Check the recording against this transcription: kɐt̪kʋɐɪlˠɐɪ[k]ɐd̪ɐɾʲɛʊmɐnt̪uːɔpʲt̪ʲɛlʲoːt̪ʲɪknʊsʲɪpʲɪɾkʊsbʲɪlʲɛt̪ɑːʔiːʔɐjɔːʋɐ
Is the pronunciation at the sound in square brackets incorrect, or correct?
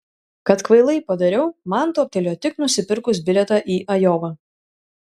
incorrect